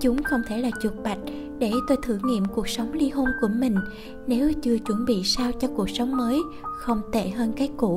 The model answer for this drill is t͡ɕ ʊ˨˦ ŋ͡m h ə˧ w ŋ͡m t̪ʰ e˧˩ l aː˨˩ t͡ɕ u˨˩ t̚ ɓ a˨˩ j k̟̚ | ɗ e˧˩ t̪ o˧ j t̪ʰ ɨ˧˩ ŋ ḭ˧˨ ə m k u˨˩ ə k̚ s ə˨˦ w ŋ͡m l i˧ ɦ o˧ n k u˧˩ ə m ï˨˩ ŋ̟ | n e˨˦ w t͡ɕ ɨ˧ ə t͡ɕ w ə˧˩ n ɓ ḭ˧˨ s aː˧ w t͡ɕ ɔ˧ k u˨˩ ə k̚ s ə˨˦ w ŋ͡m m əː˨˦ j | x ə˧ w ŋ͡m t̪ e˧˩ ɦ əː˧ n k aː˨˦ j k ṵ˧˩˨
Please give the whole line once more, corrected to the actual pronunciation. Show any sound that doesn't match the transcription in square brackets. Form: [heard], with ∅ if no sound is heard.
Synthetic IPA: t͡ɕ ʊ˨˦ ŋ͡m [x] ə˧ w ŋ͡m t̪ʰ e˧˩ l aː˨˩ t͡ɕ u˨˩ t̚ ɓ a˨˩ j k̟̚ | ɗ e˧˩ t̪ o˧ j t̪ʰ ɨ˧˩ ŋ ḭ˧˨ ə m k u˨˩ ə k̚ s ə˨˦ w ŋ͡m l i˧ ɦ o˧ n k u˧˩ ə m ï˨˩ ŋ̟ | n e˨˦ w t͡ɕ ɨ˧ ə t͡ɕ w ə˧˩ n ɓ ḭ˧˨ s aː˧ w t͡ɕ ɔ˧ k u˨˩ ə k̚ s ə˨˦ w ŋ͡m m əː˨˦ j | x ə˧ w ŋ͡m t̪ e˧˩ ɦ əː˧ n k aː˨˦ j k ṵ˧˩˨